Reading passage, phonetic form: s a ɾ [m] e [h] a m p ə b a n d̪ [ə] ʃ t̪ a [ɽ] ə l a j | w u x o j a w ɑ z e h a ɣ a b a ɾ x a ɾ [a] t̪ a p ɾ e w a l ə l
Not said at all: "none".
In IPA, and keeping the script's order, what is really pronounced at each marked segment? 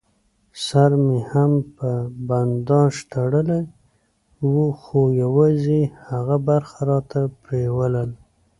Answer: m, h, ɑ, ɽ, ɑ

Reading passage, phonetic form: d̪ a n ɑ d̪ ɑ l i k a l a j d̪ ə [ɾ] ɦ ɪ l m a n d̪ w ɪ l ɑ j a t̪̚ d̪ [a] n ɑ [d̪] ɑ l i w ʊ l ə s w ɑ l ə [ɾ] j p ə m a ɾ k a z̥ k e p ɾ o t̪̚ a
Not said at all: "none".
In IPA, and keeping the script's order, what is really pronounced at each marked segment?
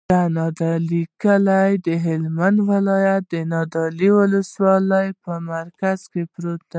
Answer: none, ə, d̪, none

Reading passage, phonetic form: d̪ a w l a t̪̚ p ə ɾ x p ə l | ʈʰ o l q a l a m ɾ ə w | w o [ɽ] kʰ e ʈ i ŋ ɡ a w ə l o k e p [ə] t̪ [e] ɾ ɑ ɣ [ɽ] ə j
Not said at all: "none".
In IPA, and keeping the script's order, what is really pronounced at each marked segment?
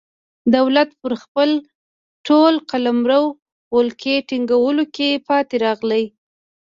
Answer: l, ɑ, e, l

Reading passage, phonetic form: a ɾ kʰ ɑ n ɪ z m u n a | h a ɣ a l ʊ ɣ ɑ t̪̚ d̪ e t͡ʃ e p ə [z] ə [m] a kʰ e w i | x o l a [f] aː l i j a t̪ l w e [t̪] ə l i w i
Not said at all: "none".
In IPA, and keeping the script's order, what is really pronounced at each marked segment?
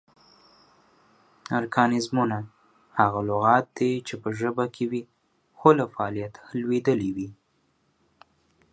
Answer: ʒ, b, f, d̪

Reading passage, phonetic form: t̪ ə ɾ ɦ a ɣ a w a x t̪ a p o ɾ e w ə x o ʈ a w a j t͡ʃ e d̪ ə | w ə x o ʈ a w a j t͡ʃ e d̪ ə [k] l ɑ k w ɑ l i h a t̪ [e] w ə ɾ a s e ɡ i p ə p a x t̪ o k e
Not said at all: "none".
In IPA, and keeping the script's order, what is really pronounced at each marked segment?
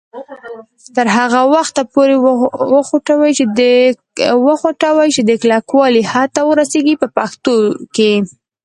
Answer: k, a

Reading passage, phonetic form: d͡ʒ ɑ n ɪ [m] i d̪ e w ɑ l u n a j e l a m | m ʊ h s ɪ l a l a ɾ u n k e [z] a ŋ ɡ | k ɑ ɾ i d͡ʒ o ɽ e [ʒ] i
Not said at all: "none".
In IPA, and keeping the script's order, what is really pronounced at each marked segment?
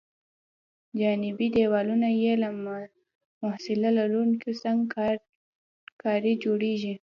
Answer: b, s, ʒ

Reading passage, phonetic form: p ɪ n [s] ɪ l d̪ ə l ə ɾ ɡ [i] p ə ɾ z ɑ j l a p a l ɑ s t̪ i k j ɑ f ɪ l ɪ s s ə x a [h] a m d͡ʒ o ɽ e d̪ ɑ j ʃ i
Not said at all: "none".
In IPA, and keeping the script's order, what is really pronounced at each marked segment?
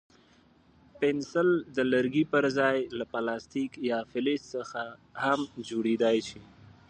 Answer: s, i, h

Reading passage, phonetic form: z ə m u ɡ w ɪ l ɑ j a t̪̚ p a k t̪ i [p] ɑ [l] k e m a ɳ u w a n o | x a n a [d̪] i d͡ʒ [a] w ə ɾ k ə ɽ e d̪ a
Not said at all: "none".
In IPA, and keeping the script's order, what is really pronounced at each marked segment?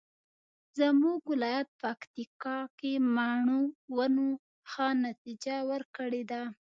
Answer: k, none, t̪, a

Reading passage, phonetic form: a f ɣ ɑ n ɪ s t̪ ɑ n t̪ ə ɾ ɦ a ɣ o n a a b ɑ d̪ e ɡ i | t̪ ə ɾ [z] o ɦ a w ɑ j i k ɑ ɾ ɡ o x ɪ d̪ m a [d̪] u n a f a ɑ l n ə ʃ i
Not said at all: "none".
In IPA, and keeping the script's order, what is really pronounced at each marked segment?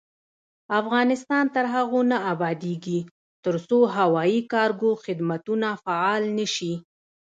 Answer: s, t̪

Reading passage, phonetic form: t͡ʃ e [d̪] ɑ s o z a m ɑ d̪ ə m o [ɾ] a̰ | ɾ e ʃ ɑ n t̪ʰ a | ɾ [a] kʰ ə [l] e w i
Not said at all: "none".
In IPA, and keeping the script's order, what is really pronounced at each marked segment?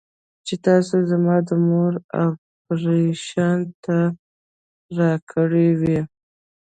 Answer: t̪, ɾ, ɑ, ɽ

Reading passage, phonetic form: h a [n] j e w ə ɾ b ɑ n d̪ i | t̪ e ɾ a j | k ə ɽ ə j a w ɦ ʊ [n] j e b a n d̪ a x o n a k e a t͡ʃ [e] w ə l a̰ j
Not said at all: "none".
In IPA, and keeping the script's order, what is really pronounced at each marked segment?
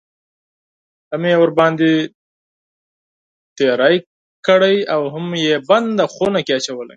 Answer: m, m, a

